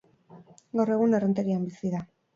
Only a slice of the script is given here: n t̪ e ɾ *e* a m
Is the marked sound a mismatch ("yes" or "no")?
yes